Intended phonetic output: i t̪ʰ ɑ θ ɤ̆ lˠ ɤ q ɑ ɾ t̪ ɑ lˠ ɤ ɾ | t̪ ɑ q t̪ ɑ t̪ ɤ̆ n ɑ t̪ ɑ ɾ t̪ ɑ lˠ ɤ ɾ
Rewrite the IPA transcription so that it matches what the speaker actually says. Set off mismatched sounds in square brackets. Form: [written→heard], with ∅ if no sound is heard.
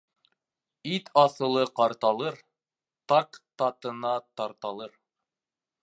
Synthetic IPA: i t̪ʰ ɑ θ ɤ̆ lˠ ɤ q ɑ ɾ t̪ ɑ lˠ ɤ ɾ | t̪ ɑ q t̪ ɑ t̪ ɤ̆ n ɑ t̪ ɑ ɾ t̪ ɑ lˠ ɤ ɾ